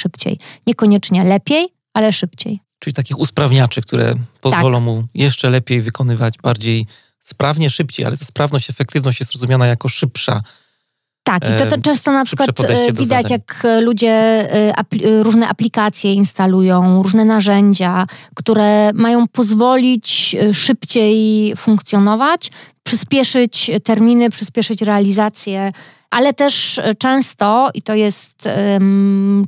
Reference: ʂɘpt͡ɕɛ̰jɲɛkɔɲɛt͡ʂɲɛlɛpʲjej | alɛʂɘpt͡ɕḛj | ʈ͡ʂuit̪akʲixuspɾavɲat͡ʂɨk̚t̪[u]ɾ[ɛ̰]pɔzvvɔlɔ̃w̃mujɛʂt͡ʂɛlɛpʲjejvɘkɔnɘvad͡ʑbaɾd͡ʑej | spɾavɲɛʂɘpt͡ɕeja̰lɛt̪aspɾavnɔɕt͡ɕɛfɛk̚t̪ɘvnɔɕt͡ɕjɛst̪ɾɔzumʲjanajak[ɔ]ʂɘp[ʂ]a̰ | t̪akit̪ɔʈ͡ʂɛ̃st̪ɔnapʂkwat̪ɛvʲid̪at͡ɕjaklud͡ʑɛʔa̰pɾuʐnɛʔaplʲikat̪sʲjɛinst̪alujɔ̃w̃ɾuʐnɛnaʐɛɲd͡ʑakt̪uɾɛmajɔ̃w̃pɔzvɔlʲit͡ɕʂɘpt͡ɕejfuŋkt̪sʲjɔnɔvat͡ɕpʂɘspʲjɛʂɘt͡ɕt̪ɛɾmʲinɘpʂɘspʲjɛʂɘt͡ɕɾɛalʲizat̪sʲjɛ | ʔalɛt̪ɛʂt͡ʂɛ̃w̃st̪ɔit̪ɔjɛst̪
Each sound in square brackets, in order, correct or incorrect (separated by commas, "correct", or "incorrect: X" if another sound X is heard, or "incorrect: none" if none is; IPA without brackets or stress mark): correct, correct, correct, correct